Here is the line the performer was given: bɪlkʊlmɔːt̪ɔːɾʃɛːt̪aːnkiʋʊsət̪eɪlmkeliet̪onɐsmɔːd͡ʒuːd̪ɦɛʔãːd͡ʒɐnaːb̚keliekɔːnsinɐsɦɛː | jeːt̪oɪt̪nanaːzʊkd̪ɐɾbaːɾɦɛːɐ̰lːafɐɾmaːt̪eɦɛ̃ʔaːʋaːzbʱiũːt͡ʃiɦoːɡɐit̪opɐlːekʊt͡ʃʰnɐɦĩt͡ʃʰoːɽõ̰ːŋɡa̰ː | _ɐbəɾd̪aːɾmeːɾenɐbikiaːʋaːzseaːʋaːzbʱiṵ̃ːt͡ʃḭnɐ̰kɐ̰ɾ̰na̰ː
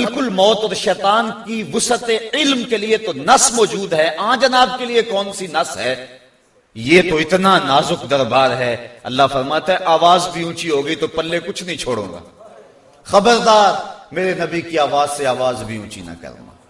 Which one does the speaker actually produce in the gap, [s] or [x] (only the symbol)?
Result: x